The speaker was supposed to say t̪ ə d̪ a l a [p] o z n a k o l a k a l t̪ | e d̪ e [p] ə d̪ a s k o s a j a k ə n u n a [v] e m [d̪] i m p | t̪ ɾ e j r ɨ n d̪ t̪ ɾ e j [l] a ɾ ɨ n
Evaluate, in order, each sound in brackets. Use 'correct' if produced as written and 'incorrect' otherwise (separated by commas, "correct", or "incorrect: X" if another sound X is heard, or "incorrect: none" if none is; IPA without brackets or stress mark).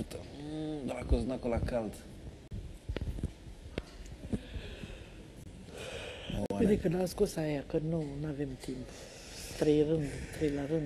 incorrect: k, incorrect: k, correct, incorrect: t̪, correct